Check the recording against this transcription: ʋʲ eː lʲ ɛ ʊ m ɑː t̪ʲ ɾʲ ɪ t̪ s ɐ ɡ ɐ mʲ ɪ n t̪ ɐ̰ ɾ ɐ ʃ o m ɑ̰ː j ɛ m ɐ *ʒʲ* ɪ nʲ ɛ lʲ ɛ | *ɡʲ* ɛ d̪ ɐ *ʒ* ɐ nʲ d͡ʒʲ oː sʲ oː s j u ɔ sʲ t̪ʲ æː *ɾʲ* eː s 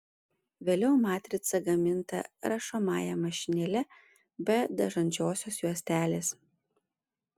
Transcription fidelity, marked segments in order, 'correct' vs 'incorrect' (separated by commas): incorrect, incorrect, correct, incorrect